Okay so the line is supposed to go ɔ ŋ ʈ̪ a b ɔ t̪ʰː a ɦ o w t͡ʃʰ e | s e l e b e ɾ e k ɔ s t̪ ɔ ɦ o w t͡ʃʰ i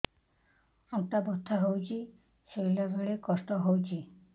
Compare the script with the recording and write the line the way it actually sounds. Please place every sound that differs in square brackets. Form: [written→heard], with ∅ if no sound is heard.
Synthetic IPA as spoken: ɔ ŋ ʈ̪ a b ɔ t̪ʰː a ɦ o w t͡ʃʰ [e→i] | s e l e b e [ɾ→ɭ] e k ɔ s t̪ ɔ ɦ o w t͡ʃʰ i